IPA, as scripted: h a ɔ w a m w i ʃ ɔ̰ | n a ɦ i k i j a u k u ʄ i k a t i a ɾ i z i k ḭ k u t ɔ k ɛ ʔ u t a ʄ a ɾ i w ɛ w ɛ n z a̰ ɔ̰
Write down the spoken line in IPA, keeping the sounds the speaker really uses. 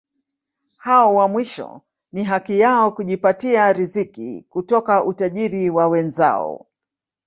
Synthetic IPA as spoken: h a ɔ w a m w i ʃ ɔ̰ | n i ɦ a k i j a ɔ k u ʄ i p a t i a ɾ i z i k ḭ k u t ɔ k a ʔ u t a ʄ i ɾ i w a w ɛ n z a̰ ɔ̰

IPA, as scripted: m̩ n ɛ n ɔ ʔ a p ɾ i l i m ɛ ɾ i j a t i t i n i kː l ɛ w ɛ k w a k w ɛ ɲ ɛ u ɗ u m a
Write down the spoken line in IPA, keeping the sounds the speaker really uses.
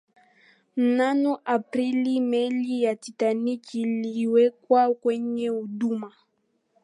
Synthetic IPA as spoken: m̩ n a n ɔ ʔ a p ɾ i l i m ɛ l i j a t i t a n i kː l i w ɛ k w a k w ɛ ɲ ɛ u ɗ u m a

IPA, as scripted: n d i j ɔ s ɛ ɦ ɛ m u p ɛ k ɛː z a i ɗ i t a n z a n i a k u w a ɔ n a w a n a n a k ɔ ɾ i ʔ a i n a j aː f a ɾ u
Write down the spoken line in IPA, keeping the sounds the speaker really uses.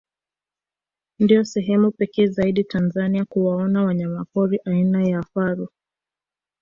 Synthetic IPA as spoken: n d i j ɔ s ɛ ɦ ɛ m u p ɛ k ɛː z a i ɗ i t a n z a n i a k u w a ɔ n a w a ɲ a m a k ɔ ɾ i ʔ a i n a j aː f a ɾ u

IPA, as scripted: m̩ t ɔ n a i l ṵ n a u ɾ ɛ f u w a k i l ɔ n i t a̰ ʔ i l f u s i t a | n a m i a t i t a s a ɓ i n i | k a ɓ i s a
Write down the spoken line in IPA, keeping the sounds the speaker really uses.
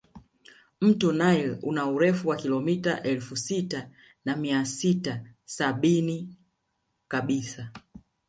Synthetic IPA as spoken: m̩ t ɔ n a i l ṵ n a u ɾ ɛ f u w a k i l ɔ m i t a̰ ʔ ɛ l f u s i t a | n a m i a s i t a s a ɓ i n i | k a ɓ i s a

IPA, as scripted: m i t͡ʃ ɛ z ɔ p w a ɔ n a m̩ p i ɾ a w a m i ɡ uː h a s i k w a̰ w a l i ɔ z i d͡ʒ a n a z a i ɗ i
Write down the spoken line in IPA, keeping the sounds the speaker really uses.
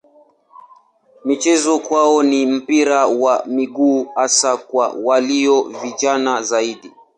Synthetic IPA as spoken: m i t͡ʃ ɛ z ɔ k w a ɔ n i m̩ p i ɾ a w a m i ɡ uː h a s a k w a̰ w a l i ɔ v i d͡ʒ a n a z a i ɗ i

